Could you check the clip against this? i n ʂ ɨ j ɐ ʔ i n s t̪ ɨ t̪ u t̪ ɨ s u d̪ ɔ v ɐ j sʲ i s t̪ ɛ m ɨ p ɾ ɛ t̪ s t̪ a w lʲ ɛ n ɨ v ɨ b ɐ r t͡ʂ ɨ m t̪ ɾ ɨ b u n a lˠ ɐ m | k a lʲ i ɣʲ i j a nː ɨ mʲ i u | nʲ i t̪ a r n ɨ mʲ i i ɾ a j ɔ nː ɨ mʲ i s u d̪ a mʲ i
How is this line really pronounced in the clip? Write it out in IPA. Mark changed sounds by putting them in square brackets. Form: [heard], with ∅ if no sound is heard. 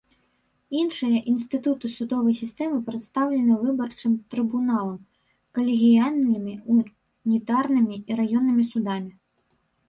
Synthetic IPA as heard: i n ʂ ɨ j ɐ ʔ i n s t̪ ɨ t̪ u t̪ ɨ s u d̪ ɔ v ɐ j sʲ i s t̪ ɛ m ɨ p ɾ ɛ t̪ s t̪ a w lʲ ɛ n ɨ v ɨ b ɐ r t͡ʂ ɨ m t̪ ɾ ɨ b u n a lˠ ɐ m | k [ɐ] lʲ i ɣʲ i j a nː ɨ mʲ i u | nʲ i t̪ a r n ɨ mʲ i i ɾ a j ɔ nː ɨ mʲ i s u d̪ a mʲ i